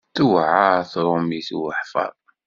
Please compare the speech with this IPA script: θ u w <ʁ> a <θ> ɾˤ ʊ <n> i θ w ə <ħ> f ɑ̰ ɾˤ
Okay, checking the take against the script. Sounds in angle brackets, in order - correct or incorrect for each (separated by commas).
incorrect, correct, incorrect, correct